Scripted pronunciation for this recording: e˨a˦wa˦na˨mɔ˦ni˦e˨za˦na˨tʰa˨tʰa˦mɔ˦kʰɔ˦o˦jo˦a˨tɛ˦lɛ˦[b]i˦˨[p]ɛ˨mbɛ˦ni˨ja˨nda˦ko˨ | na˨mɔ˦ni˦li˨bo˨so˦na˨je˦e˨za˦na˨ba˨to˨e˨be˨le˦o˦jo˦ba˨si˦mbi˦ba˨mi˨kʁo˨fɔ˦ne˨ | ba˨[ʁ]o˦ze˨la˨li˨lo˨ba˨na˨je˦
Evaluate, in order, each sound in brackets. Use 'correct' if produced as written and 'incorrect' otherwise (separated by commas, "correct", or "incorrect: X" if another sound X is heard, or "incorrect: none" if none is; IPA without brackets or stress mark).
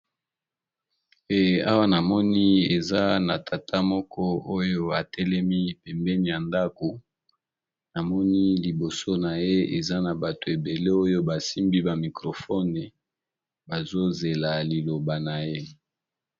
incorrect: m, correct, incorrect: z